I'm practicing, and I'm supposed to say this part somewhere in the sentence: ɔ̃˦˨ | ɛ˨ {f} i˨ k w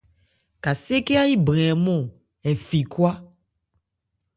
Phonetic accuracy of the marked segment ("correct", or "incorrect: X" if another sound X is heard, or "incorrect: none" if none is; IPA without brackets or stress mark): correct